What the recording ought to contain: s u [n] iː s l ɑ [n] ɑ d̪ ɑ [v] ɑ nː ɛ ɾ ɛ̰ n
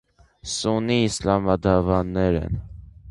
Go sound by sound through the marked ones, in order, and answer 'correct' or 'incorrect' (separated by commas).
correct, incorrect, correct